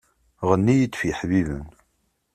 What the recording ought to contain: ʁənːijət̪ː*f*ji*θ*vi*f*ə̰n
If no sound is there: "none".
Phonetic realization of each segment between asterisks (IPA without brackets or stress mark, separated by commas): f, ħ, v